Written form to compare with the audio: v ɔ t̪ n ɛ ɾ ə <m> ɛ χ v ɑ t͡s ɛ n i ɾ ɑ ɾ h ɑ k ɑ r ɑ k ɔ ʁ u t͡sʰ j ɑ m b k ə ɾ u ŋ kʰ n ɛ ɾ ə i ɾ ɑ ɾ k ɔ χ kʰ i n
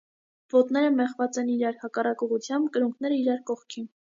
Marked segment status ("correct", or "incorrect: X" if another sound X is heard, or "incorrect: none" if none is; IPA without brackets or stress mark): correct